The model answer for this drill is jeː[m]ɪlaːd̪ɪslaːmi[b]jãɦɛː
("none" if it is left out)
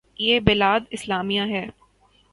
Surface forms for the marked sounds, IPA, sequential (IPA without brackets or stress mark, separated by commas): b, none